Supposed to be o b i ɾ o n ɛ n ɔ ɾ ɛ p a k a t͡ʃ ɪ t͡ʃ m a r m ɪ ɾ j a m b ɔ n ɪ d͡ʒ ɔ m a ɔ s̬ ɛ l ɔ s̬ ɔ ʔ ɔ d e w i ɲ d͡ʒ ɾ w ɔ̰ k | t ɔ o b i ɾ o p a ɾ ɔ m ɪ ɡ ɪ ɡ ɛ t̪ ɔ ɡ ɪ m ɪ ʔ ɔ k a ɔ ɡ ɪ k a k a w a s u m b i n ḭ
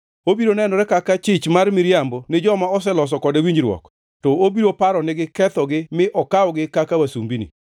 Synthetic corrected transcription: o b i ɾ o n ɛ n ɔ ɾ ɛ k a k a t͡ʃ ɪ t͡ʃ m a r m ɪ ɾ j a m b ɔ n ɪ d͡ʒ ɔ m a ɔ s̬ ɛ l ɔ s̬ ɔ k ɔ d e w i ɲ d͡ʒ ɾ w ɔ̰ k | t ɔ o b i ɾ o p a ɾ ɔ n ɪ ɡ ɪ k ɛ t̪ ɔ ɡ ɪ m ɪ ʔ ɔ k a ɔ ɡ ɪ k a k a w a s u m b i n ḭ

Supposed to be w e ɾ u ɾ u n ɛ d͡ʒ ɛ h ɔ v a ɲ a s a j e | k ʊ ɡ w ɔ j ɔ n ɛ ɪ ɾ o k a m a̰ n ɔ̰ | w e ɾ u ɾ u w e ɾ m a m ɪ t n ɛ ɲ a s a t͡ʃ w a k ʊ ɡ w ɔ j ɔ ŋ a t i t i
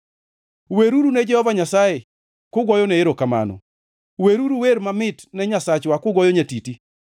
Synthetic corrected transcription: w e ɾ u ɾ u n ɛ d͡ʒ ɛ h ɔ v a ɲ a s a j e | k ʊ ɡ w ɔ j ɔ n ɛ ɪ ɾ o k a m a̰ n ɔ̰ | w e ɾ u ɾ u w e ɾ m a m ɪ t n ɛ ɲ a s a t͡ʃ w a k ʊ ɡ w ɔ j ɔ ɲ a t i t i

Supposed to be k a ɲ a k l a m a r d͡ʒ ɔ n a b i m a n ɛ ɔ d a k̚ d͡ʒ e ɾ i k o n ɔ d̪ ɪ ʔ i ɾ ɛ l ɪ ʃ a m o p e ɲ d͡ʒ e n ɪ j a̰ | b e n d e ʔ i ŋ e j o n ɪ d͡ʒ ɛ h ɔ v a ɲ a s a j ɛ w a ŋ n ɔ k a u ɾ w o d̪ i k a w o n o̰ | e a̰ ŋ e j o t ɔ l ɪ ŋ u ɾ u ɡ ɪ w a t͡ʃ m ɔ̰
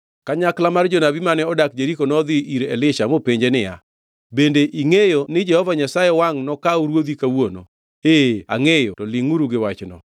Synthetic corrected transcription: k a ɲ a k l a m a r d͡ʒ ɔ n a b i m a n ɛ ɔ d a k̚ d͡ʒ e ɾ i k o n ɔ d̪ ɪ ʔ i ɾ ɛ l ɪ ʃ a m o p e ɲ d͡ʒ e n ɪ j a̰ | b e n d e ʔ i ŋ e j o n ɪ d͡ʒ ɛ h ɔ v a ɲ a s a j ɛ w a ŋ n ɔ k a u ɾ w o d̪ i k a w o n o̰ | e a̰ ŋ e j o t ɔ l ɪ ŋ u ɾ u ɡ ɪ w a t͡ʃ n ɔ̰

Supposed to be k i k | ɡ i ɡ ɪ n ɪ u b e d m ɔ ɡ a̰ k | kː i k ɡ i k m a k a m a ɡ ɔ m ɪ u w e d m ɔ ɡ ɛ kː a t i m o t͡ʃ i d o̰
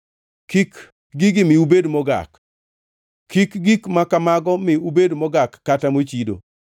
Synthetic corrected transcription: k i k | ɡ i ɡ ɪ m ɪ u b e d m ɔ ɡ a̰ k | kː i k ɡ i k m a k a m a ɡ ɔ m ɪ u b e d m ɔ ɡ a kː a t a m o t͡ʃ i d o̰

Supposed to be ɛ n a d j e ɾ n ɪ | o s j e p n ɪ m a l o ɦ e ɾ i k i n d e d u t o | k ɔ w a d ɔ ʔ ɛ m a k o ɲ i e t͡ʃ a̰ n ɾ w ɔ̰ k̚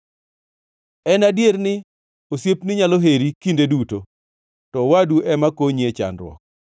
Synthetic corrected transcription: ɛ n a d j e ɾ n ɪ | o s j e p n ɪ ɲ a l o ɦ e ɾ i k i n d e d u t o | t ɔ w a d u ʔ ɛ m a k o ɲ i e t͡ʃ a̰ n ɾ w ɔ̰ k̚

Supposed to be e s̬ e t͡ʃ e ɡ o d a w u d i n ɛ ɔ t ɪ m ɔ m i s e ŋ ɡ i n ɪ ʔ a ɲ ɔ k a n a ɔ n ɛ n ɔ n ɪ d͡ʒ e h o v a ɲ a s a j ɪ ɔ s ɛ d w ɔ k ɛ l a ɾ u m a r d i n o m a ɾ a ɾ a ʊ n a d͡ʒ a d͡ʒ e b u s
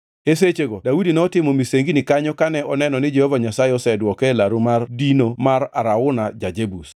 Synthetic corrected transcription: e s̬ e t͡ʃ e ɡ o d a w u d i n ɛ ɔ t ɪ m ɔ m i s e ŋ ɡ i n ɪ k a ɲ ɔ k a n ɛ ɔ n ɛ n ɔ n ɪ d͡ʒ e h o v a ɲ a s a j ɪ ɔ s ɛ d w ɔ k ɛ l a ɾ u m a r d i n o m a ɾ a ɾ a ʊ n a d͡ʒ a d͡ʒ e b u s

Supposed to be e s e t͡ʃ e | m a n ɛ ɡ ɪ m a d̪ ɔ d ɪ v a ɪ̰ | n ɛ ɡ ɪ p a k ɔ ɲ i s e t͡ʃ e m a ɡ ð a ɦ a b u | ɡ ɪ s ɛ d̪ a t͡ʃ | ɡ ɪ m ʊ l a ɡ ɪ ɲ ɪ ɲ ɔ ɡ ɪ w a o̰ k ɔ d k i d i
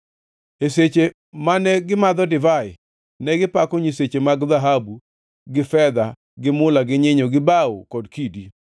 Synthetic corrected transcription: e s e t͡ʃ e | m a n ɛ ɡ ɪ m a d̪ ɔ d ɪ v a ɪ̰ | n ɛ ɡ ɪ p a k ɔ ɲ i s e t͡ʃ e m a ɡ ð a ɦ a b u | ɡ ɪ f ɛ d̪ a | ɡ ɪ m ʊ l a ɡ ɪ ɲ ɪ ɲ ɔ ɡ ɪ b a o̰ k ɔ d k i d i

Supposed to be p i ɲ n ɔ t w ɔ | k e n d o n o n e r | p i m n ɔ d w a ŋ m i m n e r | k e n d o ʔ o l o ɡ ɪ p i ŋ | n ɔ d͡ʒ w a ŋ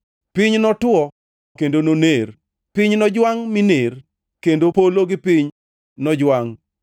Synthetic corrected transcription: p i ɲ n ɔ t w ɔ | k e n d o n o n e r | p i ɲ n ɔ d͡ʒ w a ŋ m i n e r | k e n d o p o l o ɡ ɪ p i ɲ | n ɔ d͡ʒ w a ŋ

